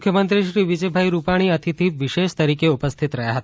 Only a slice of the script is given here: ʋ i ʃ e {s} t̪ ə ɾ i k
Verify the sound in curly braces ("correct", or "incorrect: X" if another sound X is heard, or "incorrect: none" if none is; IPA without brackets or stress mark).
incorrect: ʃ